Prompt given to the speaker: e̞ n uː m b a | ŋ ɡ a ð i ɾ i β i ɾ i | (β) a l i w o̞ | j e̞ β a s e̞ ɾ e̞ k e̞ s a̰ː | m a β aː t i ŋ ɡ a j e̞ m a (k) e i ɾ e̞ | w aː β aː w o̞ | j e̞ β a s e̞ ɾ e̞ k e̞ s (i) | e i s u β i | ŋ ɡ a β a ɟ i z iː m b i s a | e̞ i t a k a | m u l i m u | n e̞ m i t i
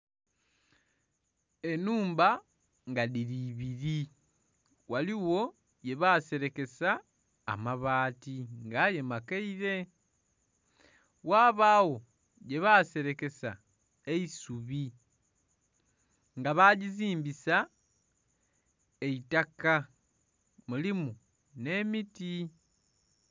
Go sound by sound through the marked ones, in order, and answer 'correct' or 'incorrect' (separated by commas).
incorrect, correct, incorrect